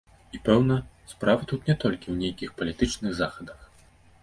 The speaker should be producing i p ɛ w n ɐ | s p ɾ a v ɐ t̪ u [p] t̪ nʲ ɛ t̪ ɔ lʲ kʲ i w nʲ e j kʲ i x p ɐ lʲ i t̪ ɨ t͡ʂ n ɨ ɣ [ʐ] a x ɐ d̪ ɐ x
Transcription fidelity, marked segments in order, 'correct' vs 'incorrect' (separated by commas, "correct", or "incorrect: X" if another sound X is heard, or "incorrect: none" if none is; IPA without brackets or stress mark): incorrect: none, incorrect: z